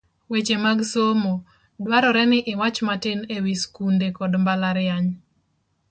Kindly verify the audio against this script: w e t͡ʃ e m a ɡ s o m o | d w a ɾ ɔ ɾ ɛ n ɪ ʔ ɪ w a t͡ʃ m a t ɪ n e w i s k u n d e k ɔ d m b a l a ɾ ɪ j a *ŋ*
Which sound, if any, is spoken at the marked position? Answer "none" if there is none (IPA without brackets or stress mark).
ɲ